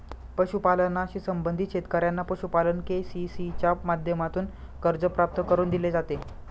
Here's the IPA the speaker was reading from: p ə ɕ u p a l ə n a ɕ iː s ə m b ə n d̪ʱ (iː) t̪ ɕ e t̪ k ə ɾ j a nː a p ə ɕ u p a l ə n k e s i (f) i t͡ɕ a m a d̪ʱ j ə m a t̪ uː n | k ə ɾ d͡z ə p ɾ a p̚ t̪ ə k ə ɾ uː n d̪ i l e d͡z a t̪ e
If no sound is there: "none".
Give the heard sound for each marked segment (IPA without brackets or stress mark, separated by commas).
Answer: i, s